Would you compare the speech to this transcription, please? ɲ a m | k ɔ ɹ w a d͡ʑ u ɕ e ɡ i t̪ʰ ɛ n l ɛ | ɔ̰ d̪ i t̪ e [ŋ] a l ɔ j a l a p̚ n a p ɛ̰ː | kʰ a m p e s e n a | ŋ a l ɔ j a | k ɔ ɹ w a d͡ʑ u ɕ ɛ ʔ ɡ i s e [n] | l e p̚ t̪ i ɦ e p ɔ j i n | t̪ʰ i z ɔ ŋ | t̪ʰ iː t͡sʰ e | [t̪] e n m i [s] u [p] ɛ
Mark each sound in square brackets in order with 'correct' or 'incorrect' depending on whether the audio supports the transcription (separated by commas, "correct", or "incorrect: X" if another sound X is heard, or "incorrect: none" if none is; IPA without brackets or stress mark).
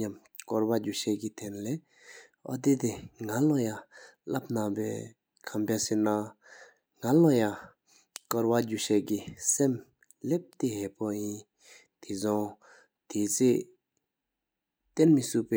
correct, incorrect: m, correct, correct, correct